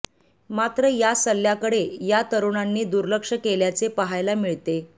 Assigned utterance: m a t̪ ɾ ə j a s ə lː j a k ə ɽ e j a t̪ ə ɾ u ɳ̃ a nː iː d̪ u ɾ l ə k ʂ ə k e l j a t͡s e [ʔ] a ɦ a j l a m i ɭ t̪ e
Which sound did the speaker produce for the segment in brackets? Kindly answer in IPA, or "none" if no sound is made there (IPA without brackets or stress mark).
p